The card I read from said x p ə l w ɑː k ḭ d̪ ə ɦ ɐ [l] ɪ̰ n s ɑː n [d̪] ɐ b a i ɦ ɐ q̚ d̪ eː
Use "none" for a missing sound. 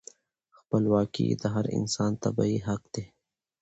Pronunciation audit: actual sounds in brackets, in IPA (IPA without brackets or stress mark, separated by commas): ɾ, t̪